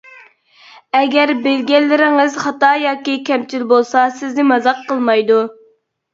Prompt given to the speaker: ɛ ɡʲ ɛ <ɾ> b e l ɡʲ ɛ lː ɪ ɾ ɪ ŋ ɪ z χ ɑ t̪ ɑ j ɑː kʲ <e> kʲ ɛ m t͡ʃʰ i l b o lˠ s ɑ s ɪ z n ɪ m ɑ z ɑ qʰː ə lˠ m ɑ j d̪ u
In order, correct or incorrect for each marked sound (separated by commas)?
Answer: correct, incorrect